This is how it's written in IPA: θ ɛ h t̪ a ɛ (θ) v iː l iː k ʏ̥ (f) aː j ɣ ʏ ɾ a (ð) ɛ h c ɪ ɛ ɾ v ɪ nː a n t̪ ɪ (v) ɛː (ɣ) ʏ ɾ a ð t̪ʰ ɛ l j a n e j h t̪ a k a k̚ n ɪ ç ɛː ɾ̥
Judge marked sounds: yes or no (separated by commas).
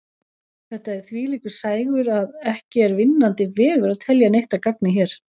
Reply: yes, no, yes, yes, yes